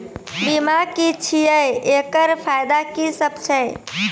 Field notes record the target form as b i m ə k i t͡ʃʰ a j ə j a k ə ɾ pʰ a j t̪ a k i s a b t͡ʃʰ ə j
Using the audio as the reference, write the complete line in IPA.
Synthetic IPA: b i m a k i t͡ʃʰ i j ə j e k ə ɾ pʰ a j d̪ a k i s ə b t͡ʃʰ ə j